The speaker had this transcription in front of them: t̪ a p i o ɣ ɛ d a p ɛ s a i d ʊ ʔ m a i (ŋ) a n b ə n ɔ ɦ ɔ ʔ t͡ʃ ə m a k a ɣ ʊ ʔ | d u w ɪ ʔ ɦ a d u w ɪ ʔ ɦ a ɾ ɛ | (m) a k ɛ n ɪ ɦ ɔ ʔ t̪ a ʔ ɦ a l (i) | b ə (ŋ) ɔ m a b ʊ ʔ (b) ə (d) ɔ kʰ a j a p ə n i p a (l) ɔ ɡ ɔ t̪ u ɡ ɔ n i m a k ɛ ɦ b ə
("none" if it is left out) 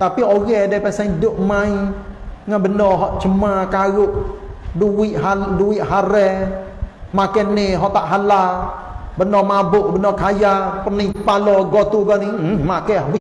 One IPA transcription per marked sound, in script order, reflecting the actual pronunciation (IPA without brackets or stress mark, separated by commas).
ŋ, m, a, n, b, n, l